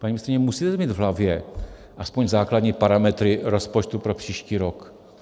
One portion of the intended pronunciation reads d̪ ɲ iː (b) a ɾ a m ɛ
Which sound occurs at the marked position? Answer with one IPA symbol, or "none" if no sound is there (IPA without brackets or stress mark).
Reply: p